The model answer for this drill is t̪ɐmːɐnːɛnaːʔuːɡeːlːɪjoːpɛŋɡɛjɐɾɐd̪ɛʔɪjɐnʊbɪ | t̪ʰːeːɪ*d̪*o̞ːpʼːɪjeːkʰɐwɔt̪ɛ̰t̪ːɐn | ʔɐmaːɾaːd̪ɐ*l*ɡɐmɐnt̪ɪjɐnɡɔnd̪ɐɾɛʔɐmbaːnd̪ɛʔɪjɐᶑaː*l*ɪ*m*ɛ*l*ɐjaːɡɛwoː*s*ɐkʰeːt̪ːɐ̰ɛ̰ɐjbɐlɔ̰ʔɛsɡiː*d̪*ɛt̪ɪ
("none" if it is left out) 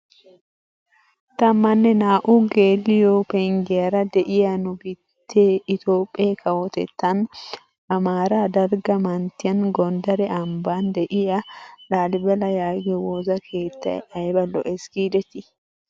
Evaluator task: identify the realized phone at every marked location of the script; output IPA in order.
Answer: t̪, ɾ, l, b, l, z, d̪

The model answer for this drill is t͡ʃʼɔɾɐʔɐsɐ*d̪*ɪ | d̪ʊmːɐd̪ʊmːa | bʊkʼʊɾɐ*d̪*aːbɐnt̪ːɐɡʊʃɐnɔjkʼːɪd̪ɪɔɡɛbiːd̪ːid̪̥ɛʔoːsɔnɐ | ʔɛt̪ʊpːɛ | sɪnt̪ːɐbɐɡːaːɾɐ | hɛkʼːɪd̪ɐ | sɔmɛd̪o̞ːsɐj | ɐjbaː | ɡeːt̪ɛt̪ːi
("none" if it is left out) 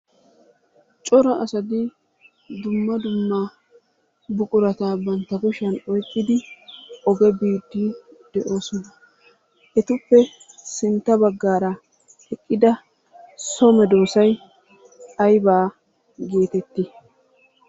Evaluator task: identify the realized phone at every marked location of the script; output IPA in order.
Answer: d̪, t̪

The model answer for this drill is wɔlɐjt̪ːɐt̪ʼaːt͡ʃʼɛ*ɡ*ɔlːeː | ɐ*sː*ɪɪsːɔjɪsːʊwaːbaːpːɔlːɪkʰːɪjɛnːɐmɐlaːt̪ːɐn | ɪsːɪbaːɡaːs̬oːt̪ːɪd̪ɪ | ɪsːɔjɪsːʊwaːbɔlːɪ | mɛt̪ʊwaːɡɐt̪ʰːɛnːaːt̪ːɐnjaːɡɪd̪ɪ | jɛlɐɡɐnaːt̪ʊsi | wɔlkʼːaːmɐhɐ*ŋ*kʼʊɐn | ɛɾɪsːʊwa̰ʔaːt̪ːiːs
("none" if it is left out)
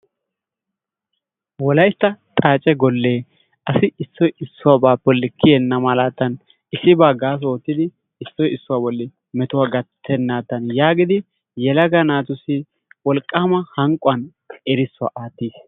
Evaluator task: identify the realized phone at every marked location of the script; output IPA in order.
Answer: ɡ, s, ŋ

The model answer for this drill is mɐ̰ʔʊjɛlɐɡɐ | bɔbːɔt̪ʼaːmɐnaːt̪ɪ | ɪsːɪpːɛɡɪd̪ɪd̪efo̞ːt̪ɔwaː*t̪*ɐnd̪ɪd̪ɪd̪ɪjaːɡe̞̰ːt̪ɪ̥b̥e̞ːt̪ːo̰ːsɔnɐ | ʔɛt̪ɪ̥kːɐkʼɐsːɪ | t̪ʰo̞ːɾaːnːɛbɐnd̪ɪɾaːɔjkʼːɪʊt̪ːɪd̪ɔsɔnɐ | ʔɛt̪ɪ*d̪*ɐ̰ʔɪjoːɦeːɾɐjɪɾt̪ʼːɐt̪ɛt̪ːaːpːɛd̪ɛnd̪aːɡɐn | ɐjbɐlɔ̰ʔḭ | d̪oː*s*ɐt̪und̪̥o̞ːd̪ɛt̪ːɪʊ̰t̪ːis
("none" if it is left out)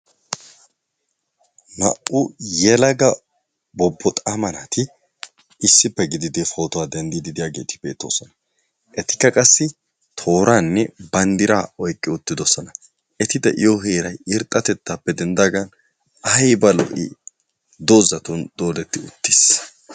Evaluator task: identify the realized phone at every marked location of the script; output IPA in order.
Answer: d̪, d̪, z

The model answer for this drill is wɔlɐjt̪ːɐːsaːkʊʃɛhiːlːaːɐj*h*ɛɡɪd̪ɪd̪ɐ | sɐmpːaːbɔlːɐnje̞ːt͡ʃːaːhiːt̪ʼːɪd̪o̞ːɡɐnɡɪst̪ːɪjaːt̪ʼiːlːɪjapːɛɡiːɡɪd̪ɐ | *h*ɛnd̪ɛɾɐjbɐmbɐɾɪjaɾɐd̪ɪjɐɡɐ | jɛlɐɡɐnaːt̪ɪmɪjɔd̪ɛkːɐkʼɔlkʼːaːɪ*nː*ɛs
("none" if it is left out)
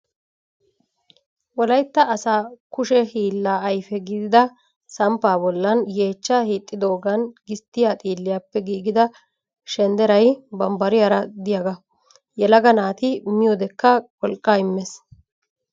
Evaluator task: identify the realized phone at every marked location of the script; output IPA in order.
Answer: f, ʃ, mː

